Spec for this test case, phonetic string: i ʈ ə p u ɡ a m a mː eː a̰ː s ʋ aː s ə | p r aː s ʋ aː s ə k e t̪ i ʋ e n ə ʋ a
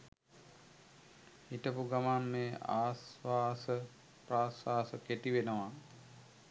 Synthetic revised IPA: i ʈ ə p u ɡ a m a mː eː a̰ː s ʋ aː s ə | p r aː s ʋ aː s ə k e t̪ i ʋ e n ə ʋ a

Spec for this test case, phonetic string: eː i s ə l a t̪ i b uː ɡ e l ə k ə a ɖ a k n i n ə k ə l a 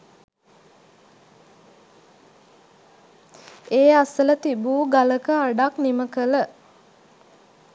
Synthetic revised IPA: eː a s ə l ə t̪ i b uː ɡ a l ə k ə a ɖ a k n i m ə k ə l ə

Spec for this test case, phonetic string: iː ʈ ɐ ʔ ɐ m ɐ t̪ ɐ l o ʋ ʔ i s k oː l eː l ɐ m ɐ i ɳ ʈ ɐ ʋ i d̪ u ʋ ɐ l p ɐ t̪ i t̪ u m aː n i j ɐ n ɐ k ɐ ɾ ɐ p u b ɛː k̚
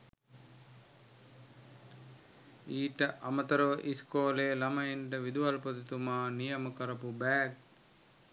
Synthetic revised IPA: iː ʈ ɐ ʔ ɐ m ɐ t̪ ɐ ɾ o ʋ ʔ i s k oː l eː l ɐ m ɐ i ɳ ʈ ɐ ʋ i d̪ u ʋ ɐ l p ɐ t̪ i t̪ u m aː n i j ɐ m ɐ k ɐ ɾ ɐ p u b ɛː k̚

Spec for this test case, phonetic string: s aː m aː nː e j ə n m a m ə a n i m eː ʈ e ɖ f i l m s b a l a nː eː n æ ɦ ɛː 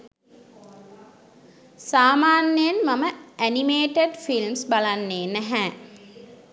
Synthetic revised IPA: s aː m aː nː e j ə n m a m ə æ n i m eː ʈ e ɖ f i l m s b a l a nː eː n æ ɦ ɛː

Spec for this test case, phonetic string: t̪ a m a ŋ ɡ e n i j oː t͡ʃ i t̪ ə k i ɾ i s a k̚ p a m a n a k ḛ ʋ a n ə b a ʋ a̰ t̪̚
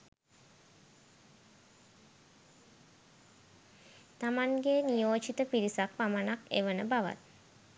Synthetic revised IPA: t̪ a m a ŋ ɡ e n i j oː t͡ʃ i t̪ ə p i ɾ i s a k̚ p a m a n a k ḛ ʋ ə n ə b a ʋ a̰ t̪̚

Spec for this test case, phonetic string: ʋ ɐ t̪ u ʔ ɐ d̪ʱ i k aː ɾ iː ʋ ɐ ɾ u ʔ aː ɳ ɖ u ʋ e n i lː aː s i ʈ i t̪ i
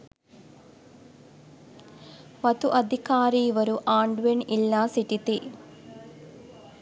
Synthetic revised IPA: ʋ ɐ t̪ u ʔ ɐ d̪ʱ i k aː ɾ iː ʋ ɐ ɾ u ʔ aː ɳ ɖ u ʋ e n i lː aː s i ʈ i t̪ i

